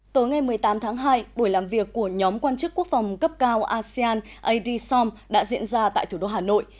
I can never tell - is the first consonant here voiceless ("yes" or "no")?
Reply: yes